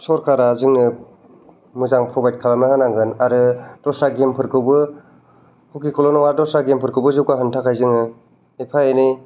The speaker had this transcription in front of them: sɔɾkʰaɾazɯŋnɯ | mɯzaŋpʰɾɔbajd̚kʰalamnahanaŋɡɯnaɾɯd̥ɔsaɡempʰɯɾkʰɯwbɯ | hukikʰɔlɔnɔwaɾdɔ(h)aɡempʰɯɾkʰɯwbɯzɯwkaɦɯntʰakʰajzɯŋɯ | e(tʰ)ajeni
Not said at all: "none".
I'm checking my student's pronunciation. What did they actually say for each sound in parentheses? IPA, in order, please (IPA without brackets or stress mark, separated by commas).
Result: s, pʰ